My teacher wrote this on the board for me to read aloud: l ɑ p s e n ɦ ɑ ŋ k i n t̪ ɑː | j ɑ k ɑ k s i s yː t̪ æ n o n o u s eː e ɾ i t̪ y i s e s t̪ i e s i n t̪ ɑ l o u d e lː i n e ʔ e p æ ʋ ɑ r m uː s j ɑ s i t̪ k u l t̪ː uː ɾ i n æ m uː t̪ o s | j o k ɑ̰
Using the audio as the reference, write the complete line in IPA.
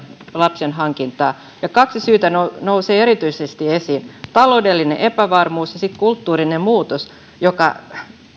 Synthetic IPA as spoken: l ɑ p s e n ɦ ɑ ŋ k i n t̪ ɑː | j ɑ k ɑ k s i s yː t̪ æ n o n o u s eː e ɾ i t̪ y i s e s t̪ i e s i n t̪ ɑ l o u d e lː i n e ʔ e p æ ʋ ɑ r m uː s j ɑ s i t̪ k u l t̪ː uː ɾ i n e m uː t̪ o s | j o k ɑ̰

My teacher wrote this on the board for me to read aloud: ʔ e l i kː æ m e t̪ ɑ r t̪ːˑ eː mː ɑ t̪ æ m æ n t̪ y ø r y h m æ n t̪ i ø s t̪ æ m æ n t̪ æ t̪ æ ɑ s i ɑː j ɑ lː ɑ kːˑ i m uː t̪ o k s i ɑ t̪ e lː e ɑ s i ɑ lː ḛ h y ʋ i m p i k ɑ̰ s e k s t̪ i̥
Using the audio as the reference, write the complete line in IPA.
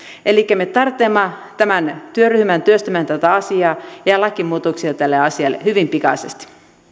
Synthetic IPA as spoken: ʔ e l i kː æ m e t̪ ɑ r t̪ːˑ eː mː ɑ t̪ æ m æ n t̪ y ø r y h m æ n t̪ y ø s t̪ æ m æ n t̪ æ t̪ æ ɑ s i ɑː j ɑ l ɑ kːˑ i m uː t̪ o k s i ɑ t̪ æ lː e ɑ s i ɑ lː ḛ h y ʋ i m p i k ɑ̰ s e s t̪ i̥

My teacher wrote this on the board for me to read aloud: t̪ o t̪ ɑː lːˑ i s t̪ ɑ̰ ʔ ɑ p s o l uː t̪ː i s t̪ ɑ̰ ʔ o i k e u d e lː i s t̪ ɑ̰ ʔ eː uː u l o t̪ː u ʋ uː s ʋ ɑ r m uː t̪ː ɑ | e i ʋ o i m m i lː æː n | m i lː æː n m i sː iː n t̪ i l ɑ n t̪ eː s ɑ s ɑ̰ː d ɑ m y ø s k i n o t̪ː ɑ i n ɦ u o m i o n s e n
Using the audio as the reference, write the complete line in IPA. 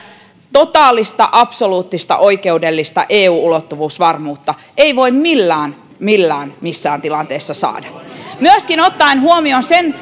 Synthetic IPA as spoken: t̪ o t̪ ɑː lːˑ i s t̪ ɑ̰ ʔ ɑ p s o l uː t̪ː i s t̪ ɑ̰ ʔ o i k e u d e lː i s t̪ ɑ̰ ʔ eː uː u l o t̪ː u ʋ uː s ʋ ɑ r m uː t̪ː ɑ | e i ʋ o i m m i lː æː n | m i lː æː n m i sː æː n t̪ i l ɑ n t̪ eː sː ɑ s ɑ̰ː d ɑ m y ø s k i n o t̪ː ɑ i n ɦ u o m i o n s e n

